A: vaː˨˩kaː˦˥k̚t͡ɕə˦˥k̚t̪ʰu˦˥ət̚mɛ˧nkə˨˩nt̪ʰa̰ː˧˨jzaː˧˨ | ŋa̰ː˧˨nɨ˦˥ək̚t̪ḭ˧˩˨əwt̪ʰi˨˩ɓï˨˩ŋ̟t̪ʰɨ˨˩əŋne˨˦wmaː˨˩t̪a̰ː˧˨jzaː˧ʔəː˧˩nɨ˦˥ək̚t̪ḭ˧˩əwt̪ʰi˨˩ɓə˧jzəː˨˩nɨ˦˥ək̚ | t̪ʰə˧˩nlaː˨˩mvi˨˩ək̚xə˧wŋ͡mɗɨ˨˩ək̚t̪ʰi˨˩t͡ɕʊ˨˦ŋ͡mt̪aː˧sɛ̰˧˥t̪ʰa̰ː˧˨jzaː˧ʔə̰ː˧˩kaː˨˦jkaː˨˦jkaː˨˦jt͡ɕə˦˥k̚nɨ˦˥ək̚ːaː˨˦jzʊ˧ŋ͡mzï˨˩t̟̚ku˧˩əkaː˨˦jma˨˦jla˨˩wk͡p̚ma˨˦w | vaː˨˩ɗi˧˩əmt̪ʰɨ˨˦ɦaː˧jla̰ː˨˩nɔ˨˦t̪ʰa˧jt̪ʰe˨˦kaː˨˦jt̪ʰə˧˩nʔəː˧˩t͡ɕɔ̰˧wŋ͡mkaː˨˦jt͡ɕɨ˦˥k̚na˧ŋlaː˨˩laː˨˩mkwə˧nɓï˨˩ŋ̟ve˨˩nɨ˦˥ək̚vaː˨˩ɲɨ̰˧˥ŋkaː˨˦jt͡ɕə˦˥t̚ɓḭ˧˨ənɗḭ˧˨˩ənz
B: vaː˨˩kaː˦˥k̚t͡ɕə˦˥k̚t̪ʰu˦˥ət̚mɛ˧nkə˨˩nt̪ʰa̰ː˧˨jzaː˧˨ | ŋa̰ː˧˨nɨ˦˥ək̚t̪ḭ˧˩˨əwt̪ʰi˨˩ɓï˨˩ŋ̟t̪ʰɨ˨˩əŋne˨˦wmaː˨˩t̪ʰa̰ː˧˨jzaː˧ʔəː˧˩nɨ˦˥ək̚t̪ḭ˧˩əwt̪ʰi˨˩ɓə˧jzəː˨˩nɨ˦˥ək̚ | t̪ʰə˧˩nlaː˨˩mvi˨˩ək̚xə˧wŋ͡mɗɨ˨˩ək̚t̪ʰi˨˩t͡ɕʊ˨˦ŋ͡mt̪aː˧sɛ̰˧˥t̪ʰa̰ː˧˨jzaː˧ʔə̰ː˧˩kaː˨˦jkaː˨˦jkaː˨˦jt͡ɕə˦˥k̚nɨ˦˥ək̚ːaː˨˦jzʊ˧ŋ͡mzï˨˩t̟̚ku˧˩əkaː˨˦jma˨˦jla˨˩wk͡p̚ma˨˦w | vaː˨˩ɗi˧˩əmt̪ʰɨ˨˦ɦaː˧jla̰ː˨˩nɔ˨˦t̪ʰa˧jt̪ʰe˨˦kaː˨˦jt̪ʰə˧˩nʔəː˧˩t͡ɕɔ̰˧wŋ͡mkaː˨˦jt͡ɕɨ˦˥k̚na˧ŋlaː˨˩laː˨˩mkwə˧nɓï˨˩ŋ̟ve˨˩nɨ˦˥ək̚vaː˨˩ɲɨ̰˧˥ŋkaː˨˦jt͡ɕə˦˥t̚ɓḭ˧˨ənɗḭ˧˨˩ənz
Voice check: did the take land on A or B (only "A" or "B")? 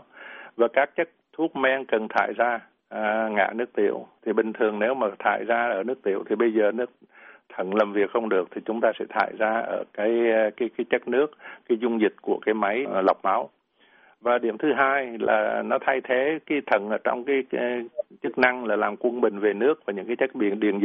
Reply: B